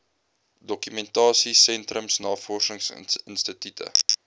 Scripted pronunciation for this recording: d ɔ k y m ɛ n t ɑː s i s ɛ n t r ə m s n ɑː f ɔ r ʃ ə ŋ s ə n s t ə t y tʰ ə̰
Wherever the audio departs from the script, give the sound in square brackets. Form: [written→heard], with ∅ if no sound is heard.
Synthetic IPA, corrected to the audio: d ɔ k y m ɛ n t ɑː s i s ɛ n t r ə m s n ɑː f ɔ r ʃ ə ŋ s ə n s t ə t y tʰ ə̰